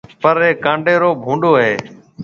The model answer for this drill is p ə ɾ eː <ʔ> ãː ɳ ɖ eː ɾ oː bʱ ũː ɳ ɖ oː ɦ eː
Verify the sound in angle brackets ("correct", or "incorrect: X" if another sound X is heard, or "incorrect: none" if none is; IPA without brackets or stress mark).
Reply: incorrect: k